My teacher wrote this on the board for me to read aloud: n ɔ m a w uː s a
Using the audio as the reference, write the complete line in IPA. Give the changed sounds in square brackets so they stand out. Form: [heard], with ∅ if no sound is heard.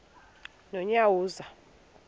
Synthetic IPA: n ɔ [ɲ] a w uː [z] a